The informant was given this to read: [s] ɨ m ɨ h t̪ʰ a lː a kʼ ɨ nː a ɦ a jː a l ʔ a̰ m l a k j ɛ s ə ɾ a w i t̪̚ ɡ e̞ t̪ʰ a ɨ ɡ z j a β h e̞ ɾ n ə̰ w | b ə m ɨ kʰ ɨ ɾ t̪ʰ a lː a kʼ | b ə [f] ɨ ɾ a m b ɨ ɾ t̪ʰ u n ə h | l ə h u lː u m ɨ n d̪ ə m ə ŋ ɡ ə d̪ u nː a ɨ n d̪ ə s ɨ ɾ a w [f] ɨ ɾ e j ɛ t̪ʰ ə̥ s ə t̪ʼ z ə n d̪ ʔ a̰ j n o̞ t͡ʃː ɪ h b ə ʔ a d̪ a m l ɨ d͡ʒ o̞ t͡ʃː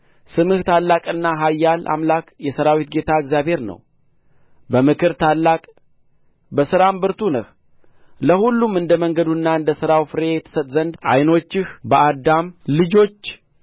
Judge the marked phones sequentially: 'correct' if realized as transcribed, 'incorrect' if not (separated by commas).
correct, incorrect, correct